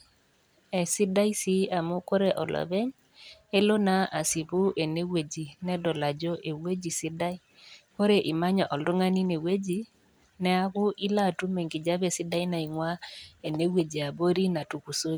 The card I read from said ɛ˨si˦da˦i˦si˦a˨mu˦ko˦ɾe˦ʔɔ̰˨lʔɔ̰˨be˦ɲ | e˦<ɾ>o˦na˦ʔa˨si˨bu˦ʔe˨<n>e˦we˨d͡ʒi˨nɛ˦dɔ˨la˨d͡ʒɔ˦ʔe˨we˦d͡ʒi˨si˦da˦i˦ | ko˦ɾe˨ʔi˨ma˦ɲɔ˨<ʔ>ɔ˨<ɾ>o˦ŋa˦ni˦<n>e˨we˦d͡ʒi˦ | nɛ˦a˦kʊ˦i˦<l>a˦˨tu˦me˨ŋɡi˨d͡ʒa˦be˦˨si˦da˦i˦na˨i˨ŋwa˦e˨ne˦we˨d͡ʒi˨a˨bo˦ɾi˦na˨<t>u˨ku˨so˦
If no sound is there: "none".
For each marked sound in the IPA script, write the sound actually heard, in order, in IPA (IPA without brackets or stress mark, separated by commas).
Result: l, n, ʔ, l, n, l, t